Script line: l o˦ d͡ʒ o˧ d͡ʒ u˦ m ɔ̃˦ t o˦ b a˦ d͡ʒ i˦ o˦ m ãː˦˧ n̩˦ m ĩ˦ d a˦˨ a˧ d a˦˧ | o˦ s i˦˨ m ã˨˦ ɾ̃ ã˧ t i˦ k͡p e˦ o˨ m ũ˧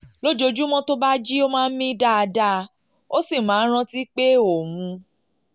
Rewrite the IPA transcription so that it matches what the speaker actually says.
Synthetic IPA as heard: l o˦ d͡ʒ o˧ d͡ʒ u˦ m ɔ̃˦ t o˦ b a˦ d͡ʒ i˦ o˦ m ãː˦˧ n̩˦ m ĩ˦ d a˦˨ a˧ d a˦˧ | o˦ s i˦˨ m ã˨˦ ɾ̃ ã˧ t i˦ k͡p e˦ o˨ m ũ˧